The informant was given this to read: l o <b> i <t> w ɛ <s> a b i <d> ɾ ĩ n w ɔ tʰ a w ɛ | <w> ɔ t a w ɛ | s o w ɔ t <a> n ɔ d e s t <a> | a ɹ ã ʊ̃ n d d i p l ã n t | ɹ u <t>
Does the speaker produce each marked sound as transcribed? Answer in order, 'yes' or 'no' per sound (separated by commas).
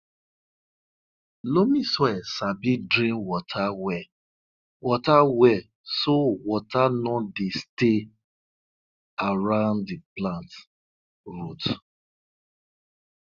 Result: no, no, yes, yes, yes, yes, no, yes